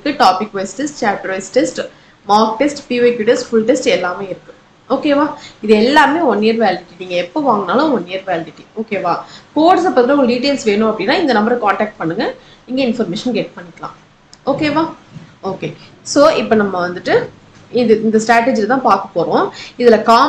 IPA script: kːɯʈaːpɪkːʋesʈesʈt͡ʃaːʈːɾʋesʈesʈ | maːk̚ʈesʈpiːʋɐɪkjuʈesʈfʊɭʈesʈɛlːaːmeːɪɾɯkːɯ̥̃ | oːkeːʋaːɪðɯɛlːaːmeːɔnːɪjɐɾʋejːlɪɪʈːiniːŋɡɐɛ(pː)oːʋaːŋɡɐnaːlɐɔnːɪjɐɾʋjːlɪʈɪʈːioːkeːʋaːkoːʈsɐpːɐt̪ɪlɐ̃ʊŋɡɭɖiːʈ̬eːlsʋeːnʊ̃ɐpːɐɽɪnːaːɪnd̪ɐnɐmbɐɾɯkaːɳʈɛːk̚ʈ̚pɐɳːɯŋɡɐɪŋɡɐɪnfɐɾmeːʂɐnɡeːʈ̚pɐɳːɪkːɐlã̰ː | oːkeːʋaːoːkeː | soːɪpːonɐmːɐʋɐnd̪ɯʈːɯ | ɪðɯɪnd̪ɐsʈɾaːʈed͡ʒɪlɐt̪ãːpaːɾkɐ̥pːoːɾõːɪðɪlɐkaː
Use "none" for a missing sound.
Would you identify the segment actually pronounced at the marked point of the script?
pː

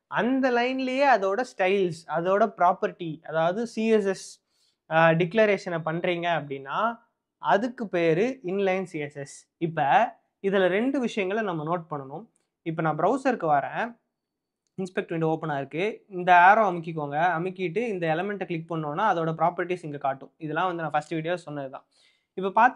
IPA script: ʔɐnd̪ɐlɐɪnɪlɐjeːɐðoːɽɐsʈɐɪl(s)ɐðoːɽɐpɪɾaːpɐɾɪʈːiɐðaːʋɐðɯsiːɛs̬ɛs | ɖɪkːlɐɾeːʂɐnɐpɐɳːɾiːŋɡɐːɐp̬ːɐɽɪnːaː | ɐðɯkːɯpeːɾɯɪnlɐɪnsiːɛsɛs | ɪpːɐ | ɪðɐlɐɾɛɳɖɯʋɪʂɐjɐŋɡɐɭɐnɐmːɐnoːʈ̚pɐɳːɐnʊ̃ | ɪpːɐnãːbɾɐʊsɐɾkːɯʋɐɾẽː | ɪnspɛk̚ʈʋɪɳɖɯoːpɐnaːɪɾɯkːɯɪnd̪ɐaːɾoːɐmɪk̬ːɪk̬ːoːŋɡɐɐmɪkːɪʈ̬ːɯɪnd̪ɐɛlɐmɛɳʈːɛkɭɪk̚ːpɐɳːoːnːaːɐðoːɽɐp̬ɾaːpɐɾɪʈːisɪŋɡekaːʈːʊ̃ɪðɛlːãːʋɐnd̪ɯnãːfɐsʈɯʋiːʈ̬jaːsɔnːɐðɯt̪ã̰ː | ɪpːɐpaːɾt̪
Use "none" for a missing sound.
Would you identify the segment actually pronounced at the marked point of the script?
s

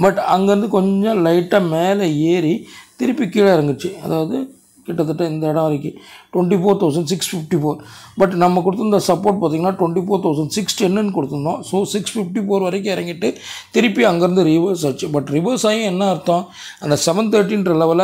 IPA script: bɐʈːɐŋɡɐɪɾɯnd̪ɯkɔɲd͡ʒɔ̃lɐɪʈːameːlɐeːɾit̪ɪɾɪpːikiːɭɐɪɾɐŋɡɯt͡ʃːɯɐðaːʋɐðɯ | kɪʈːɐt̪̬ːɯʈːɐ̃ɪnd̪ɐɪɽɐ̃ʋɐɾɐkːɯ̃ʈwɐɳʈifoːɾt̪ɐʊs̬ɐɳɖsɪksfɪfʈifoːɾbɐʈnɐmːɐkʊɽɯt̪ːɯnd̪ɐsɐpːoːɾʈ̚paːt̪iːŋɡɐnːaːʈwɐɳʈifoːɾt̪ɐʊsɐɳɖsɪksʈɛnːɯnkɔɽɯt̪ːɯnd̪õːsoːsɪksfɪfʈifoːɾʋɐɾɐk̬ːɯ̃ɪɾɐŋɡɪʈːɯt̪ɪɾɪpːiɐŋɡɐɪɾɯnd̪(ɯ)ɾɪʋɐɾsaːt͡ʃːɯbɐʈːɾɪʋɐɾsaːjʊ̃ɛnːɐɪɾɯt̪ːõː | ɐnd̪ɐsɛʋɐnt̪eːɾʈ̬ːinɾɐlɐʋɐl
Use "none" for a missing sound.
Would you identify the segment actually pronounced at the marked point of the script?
ɯ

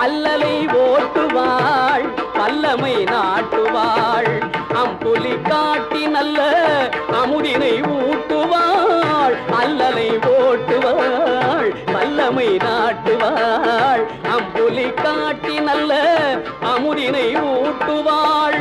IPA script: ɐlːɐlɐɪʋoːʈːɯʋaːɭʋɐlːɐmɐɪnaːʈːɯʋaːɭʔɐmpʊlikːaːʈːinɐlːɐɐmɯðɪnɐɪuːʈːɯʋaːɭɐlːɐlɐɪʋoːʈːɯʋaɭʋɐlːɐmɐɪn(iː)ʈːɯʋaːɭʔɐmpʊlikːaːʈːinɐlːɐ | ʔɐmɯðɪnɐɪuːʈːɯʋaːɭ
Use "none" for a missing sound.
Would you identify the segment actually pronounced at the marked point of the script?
aː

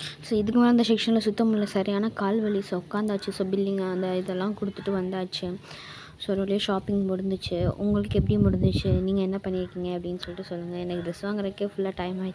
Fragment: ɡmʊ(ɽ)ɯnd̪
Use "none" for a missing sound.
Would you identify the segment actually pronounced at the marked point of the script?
ɽ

